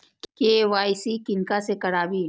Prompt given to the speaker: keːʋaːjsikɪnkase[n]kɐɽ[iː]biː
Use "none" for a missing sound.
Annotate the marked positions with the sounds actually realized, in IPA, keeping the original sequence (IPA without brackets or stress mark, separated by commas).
none, aː